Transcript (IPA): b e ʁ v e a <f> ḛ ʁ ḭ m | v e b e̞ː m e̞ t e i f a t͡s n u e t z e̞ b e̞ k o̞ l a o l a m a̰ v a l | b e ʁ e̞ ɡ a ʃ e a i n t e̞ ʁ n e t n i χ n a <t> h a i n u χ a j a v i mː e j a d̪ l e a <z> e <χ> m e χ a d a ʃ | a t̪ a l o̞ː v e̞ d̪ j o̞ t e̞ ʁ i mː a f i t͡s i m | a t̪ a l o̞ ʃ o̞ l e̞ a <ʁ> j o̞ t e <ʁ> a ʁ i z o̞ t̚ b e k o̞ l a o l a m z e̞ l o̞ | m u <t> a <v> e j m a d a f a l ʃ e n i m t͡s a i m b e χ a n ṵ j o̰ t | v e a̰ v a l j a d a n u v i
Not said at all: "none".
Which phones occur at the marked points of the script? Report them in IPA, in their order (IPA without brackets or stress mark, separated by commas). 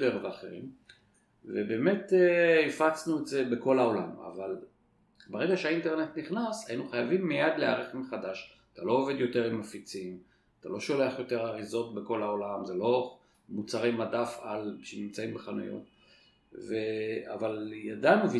χ, s, ʁ, χ, χ, ʁ, t͡s, ʁ